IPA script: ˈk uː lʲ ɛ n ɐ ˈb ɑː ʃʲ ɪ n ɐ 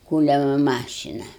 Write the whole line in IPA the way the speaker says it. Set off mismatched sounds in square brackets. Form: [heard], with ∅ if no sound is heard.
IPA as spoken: ˈk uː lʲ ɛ [m] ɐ [ˈm] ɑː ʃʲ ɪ n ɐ